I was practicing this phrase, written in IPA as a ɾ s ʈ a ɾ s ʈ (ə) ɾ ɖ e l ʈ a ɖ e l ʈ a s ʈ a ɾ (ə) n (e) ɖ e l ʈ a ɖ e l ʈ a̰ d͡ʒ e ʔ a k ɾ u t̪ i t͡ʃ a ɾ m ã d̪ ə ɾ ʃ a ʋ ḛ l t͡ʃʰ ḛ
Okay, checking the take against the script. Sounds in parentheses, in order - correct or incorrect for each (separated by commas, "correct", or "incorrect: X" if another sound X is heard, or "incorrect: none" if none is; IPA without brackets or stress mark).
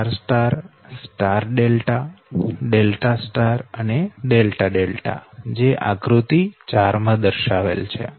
incorrect: a, correct, correct